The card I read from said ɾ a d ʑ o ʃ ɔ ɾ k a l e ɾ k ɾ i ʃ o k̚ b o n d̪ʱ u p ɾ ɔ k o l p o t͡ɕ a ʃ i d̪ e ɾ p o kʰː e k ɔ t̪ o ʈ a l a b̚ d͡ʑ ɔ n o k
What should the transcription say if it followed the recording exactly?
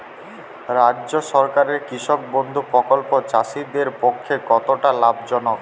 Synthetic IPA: ɾ a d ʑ o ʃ ɔ ɾ k a ɾ e ɾ k ɾ i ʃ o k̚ b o n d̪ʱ u p ɾ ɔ k o l p o t͡ɕ a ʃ i d̪ e ɾ p o kʰː e k ɔ t̪ o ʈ a l a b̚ d͡ʑ ɔ n o k